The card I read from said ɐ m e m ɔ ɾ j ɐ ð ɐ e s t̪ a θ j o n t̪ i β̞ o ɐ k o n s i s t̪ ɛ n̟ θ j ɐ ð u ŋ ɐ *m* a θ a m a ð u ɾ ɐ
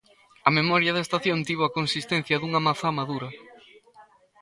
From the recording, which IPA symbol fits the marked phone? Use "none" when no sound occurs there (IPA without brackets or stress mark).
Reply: m